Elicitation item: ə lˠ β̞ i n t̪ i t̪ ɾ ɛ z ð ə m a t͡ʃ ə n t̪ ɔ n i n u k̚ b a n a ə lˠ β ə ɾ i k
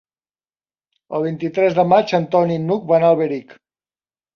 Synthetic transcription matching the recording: ə lˠ β̞ i n t̪ i t̪ ɾ ɛ z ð ə m a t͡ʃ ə n t̪ ɔ n i n u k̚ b a n a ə lˠ β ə ɾ i k